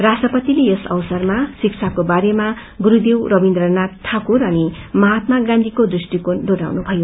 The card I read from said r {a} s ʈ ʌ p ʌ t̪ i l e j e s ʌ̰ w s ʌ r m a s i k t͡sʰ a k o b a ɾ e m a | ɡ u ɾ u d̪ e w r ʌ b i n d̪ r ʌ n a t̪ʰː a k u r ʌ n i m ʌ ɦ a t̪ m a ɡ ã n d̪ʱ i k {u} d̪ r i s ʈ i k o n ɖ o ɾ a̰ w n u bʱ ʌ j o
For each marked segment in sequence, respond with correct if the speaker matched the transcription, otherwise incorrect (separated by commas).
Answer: correct, incorrect